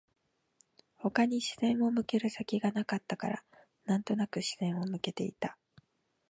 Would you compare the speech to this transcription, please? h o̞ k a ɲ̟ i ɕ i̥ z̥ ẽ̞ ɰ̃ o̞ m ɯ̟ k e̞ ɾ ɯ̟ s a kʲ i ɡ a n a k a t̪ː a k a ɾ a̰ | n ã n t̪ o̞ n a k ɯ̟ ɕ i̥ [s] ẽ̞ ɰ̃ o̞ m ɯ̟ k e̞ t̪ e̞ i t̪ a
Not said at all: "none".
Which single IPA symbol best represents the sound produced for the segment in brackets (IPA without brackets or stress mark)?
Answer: z